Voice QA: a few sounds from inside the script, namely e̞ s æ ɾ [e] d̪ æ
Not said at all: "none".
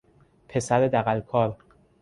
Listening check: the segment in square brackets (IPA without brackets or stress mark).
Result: e